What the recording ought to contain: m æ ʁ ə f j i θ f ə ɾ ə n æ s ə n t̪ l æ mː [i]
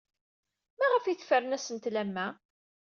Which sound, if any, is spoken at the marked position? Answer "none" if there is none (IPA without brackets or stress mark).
æ